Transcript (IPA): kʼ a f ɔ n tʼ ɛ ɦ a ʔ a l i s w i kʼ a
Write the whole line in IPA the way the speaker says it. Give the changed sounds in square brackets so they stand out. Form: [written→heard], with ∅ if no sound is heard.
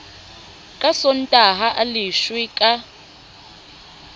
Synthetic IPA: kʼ a [f→s] ɔ n tʼ [ɛ→a] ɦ a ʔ a l i [s→ʃ] w i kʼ a